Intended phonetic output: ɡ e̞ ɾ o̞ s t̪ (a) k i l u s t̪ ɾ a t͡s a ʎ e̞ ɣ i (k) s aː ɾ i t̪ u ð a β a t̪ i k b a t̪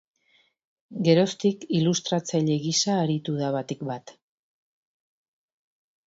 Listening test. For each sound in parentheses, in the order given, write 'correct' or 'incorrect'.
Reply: incorrect, incorrect

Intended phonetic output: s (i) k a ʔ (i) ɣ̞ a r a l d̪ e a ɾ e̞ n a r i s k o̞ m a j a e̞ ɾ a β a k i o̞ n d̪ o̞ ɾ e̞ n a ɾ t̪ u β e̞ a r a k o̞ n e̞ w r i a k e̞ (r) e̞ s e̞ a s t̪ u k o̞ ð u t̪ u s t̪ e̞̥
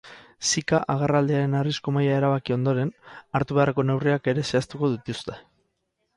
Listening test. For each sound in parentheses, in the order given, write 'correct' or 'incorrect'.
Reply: correct, incorrect, incorrect

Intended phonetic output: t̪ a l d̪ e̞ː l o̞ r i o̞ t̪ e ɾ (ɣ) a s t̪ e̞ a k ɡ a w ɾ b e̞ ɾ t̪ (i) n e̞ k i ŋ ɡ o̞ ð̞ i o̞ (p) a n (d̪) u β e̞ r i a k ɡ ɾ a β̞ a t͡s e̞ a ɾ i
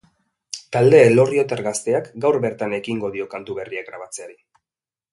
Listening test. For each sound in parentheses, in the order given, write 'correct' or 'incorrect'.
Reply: correct, incorrect, incorrect, incorrect

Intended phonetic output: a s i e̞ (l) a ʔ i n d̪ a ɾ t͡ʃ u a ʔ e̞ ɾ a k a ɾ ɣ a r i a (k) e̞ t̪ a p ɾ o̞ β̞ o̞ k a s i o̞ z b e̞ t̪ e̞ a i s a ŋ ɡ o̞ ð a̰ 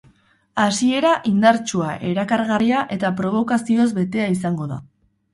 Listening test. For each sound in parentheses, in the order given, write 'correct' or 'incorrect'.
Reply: incorrect, incorrect

